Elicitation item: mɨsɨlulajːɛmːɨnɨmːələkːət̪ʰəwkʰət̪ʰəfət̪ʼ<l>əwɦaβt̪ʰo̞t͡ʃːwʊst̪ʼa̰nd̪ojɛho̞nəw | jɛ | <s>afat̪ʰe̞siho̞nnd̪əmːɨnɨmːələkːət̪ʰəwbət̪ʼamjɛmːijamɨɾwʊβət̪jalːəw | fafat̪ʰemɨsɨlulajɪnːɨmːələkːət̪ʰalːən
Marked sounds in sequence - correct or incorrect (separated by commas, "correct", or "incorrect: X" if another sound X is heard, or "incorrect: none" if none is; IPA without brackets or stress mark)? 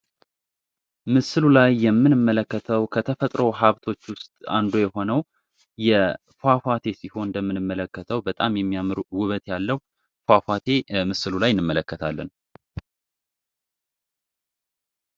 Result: incorrect: ɾ, incorrect: f